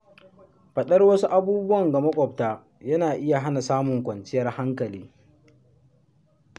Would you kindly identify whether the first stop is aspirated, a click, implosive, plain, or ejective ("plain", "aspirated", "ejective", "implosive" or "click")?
implosive